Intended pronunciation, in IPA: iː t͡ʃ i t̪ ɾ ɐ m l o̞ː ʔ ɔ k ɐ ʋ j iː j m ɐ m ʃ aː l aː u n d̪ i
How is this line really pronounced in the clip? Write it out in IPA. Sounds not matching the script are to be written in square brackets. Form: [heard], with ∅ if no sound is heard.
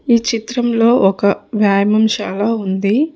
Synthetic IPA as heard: iː t͡ʃ i t̪ ɾ ɐ m l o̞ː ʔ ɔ k ɐ ʋ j [aː] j m ɐ m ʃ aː l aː u n d̪ i